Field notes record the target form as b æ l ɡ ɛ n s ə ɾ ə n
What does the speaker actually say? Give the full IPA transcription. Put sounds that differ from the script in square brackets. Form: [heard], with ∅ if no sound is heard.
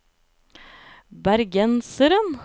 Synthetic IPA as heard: b æ [ɾ] ɡ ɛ n s ə ɾ ə n